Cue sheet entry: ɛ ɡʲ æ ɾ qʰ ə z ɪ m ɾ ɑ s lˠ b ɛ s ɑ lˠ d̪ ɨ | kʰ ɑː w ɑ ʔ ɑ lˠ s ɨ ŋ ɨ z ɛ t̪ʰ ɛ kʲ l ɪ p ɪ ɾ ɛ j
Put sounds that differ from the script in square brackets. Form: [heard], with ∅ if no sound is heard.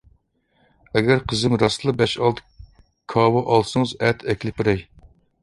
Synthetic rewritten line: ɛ ɡʲ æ ɾ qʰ ə z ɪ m ɾ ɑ s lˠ b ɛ [ʃ] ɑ lˠ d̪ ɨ | kʰ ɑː w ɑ ʔ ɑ lˠ s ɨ ŋ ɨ z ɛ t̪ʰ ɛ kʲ l ɪ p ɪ ɾ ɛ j